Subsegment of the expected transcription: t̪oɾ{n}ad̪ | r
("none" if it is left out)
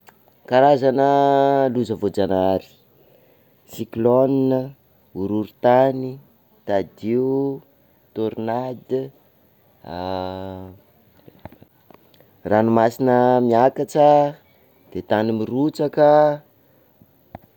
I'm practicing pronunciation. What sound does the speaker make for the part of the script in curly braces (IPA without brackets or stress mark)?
n